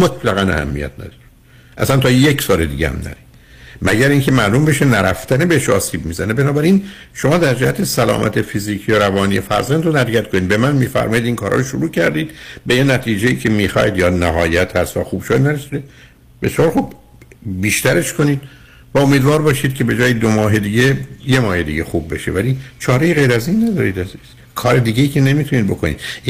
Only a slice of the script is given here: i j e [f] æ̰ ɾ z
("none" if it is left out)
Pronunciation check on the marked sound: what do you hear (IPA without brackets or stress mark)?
f